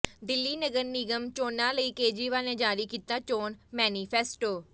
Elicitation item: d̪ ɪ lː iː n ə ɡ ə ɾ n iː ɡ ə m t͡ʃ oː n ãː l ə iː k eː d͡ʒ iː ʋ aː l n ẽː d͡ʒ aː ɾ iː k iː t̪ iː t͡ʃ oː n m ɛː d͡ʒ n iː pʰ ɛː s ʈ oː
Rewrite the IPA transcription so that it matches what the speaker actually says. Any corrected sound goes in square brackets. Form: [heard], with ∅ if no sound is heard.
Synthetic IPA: d̪ ɪ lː iː n ə ɡ ə ɾ n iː ɡ ə m t͡ʃ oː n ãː l ə iː k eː d͡ʒ iː ʋ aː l n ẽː d͡ʒ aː ɾ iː k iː t̪ [aː] t͡ʃ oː n m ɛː [∅] n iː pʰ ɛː s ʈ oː